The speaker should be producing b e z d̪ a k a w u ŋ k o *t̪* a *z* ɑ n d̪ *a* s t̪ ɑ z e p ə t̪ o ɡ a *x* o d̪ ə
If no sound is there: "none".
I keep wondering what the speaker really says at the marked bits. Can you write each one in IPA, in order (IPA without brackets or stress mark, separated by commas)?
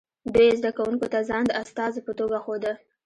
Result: t̪, z, a, x